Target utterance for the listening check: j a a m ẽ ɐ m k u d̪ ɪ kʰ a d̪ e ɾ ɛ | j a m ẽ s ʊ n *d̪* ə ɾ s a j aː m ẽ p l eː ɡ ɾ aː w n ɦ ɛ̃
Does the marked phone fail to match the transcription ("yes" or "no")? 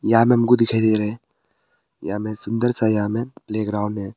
no